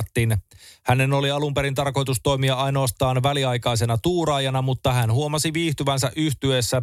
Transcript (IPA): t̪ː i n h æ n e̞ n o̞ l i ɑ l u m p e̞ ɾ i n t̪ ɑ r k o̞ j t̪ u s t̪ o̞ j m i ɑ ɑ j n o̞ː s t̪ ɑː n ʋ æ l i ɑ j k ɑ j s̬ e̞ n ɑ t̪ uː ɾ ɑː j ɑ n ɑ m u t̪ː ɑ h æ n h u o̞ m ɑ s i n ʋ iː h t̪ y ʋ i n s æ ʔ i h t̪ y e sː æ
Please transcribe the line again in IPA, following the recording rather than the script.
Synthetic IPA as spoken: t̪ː i n h æ n e̞ n o̞ l i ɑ l u m p e̞ ɾ i n t̪ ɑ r k o̞ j t̪ u s t̪ o̞ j m i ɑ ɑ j n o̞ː s t̪ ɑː n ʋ æ l i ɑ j k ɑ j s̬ e̞ n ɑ t̪ uː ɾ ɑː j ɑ n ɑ m u t̪ː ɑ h æ n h u o̞ m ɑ s i ʋ iː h t̪ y ʋ æ n s æ ʔ y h t̪ y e sː æ